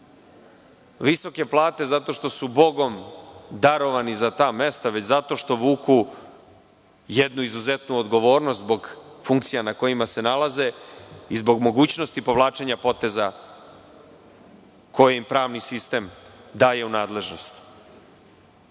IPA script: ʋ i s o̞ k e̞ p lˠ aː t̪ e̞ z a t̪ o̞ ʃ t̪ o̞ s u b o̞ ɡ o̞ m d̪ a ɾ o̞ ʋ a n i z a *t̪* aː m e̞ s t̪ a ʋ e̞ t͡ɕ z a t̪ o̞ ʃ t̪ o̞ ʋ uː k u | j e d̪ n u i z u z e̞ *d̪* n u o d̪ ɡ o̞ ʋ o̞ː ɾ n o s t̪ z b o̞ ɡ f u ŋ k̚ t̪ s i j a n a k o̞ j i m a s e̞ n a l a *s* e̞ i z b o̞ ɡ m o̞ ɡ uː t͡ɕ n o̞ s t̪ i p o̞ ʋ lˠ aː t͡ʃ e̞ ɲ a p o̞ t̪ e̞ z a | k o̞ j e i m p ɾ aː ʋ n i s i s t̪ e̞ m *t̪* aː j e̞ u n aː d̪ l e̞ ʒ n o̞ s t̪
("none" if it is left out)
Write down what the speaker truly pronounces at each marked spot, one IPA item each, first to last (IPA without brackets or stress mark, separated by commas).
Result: t̪, t̪, z, d̪